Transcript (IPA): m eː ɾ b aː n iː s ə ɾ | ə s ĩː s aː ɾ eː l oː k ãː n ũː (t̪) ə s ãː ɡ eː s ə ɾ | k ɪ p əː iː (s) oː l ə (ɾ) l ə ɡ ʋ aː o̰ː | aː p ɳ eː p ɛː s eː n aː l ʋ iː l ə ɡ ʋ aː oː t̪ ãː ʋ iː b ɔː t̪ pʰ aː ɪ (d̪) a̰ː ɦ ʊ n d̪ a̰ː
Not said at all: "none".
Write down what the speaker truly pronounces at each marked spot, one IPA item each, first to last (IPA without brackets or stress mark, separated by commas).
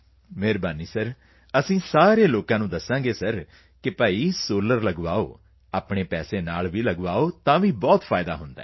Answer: d̪, s, ɾ, d̪